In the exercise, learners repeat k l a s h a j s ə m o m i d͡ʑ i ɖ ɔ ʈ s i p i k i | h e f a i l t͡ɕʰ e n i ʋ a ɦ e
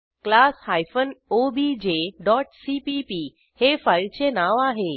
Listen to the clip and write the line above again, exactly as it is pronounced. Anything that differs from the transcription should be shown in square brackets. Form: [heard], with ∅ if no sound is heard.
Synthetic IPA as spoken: k l a s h a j [f] ə [n] o [b] i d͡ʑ [e] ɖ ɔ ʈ s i p i [p] i | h e f a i l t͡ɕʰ e n [a] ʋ a ɦ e